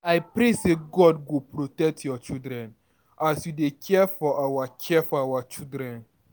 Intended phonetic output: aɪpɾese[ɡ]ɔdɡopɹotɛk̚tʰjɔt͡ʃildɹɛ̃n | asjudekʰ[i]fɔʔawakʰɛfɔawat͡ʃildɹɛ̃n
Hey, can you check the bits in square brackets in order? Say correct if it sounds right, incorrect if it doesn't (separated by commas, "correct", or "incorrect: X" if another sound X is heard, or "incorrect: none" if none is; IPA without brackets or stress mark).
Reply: correct, incorrect: ɛ